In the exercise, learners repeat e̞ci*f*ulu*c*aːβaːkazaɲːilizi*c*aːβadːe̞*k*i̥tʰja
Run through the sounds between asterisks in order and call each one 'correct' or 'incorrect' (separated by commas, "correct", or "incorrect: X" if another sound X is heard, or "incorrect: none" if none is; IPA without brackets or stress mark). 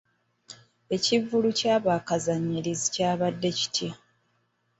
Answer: incorrect: v, correct, correct, incorrect: c